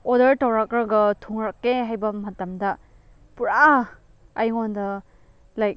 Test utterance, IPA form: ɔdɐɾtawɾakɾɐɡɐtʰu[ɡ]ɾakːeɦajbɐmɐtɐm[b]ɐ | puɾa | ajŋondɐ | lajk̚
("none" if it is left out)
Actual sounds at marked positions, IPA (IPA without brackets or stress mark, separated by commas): ŋ, d